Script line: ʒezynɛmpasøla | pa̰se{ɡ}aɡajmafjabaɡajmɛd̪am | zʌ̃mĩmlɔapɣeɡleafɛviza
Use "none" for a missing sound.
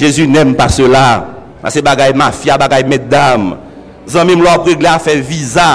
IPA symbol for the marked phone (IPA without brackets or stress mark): b